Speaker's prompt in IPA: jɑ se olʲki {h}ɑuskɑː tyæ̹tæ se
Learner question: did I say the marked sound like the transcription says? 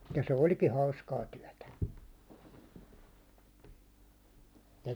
yes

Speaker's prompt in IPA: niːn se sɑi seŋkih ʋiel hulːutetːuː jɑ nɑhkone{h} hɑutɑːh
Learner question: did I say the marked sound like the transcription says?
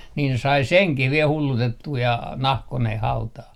yes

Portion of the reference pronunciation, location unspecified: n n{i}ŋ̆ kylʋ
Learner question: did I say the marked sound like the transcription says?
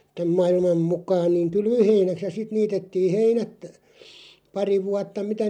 no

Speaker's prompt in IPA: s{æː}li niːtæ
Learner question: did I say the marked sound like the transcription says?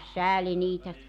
yes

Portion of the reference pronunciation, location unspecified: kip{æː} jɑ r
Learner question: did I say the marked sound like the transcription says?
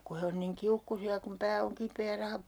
no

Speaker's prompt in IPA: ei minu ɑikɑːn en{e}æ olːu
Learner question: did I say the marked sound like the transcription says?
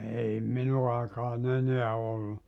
yes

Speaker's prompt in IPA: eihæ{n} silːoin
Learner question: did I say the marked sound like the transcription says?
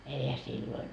no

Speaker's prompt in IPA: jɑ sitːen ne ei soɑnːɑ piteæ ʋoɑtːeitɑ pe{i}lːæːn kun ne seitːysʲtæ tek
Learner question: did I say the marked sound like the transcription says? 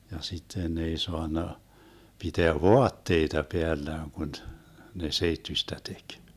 no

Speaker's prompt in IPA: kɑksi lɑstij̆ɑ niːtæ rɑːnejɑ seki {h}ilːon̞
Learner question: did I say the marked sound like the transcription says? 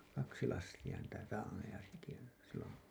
no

